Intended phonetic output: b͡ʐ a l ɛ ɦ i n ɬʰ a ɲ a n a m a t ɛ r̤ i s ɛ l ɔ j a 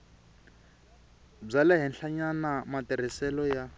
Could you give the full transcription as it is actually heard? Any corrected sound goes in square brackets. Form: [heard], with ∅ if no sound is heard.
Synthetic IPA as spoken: b͡ʐ a l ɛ ɦ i n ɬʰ a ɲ a n a m a t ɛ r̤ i s ɛ l ɔ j a